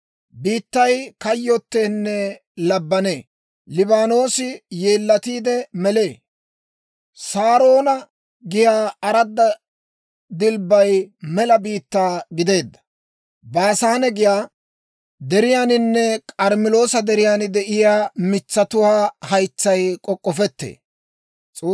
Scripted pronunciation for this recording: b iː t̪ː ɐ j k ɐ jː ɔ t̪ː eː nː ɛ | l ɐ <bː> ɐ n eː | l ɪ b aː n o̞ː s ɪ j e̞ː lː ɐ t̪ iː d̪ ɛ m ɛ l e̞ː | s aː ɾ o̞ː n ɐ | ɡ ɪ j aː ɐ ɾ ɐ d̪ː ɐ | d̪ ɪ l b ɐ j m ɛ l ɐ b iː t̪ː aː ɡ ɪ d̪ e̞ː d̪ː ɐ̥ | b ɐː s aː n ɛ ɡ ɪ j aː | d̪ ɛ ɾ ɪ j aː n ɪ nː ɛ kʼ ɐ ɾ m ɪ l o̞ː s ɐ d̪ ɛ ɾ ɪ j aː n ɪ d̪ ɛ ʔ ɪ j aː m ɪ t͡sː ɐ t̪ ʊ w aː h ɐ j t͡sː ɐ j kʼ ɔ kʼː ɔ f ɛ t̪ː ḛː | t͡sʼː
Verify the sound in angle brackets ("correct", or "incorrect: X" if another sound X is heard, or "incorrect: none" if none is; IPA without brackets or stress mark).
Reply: correct